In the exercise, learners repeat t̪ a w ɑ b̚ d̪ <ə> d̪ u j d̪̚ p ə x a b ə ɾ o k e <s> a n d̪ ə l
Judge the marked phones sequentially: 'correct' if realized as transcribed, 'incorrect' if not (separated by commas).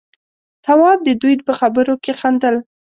correct, incorrect